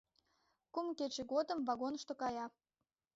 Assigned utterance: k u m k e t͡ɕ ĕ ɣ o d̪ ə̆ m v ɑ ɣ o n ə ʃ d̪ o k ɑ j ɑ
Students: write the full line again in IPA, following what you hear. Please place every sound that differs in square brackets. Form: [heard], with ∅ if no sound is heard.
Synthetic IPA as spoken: k u m k e t͡ɕ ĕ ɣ o d̪ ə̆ m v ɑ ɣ o n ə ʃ [t̪] o k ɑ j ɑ